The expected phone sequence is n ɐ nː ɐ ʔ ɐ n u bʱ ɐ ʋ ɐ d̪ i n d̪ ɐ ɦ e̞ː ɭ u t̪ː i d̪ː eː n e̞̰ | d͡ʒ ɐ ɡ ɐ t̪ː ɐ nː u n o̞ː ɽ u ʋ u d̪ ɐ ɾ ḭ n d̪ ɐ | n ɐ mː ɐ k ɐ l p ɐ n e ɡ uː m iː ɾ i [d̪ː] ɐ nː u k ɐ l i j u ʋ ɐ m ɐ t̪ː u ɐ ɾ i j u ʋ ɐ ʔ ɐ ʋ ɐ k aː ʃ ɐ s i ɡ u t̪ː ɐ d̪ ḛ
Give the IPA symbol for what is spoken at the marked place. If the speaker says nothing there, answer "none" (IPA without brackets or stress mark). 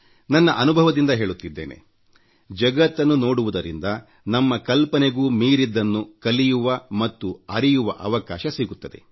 d̪ː